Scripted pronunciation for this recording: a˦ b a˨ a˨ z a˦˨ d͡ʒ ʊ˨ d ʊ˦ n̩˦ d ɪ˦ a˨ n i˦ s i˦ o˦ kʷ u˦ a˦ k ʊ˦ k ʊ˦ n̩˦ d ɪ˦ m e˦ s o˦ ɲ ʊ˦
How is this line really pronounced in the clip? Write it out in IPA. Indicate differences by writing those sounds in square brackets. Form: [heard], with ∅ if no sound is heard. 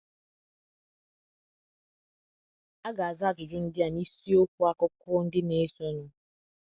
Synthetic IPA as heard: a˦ [ɡ] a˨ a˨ z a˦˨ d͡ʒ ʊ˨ [d͡ʒ] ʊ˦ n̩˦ d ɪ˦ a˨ n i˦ s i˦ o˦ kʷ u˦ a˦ k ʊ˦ k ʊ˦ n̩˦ d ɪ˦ [n] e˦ s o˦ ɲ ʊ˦